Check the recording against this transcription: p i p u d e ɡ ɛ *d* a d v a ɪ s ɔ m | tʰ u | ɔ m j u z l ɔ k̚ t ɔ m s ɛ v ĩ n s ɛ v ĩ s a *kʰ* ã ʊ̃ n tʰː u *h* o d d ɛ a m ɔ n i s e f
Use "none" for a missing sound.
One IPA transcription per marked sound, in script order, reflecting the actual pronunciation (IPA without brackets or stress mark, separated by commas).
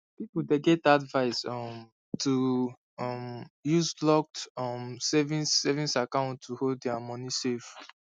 t, k, h